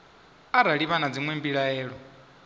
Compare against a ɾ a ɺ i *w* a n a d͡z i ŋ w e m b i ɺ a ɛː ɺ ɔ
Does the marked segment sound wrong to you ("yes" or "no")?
yes